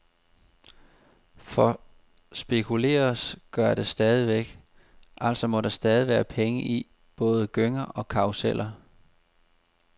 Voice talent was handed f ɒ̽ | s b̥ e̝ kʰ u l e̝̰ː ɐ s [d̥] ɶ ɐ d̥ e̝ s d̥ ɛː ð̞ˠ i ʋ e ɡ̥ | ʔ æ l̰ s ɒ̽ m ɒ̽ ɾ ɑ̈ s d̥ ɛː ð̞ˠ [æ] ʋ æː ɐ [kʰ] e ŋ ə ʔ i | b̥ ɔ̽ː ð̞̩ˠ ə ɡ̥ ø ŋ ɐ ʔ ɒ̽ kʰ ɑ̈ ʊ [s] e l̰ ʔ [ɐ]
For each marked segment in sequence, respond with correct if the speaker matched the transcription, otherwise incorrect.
incorrect: ɡ̥, incorrect: i, incorrect: pʰ, correct, correct

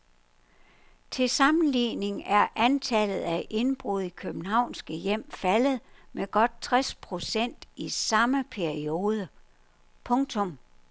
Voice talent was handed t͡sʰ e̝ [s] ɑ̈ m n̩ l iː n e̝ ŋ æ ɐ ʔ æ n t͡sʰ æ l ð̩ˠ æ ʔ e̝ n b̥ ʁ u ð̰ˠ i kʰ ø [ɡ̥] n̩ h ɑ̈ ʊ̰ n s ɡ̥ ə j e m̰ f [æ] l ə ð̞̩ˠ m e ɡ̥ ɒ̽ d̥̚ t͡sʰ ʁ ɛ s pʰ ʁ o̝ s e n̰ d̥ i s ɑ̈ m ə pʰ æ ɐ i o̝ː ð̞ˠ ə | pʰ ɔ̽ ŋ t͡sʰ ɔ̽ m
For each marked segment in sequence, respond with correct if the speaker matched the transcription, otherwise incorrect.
correct, incorrect: b̥, correct

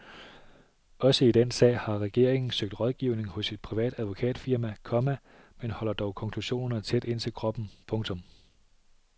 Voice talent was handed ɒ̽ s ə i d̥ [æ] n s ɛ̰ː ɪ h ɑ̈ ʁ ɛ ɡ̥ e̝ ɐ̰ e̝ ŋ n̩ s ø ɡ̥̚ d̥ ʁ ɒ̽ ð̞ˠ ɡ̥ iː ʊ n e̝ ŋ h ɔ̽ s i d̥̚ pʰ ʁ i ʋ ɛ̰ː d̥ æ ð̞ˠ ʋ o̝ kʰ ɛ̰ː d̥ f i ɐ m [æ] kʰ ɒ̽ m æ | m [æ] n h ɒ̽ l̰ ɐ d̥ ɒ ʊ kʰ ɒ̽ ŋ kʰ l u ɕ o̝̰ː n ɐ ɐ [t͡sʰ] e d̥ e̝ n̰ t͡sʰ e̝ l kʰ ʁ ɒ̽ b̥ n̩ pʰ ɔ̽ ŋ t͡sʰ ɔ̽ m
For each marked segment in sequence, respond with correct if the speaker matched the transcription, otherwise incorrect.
incorrect: e, correct, incorrect: e, correct

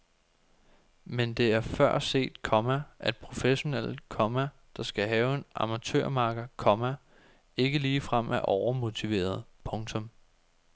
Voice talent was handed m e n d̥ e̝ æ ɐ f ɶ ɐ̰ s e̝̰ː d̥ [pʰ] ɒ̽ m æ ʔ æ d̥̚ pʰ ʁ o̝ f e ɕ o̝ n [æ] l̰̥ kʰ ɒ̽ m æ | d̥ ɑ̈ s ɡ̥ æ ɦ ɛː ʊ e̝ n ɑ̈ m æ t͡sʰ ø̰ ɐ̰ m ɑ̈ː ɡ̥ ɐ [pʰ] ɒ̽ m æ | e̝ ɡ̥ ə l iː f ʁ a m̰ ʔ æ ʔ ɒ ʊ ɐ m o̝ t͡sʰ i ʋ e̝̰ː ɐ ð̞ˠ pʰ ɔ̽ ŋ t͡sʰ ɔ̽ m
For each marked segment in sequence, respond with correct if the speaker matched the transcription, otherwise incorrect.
incorrect: kʰ, incorrect: e, incorrect: kʰ

